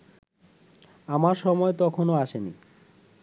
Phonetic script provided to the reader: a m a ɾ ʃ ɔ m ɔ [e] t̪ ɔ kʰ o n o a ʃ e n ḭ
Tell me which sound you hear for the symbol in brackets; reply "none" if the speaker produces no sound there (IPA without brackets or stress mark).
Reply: e